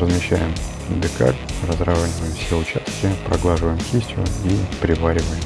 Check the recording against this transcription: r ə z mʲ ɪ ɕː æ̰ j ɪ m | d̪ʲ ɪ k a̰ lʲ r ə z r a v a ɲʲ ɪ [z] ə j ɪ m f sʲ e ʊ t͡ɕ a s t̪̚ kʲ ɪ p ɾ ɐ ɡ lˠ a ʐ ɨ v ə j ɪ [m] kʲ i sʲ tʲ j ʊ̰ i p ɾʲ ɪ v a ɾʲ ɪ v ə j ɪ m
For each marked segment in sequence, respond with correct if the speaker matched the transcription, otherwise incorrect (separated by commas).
incorrect, correct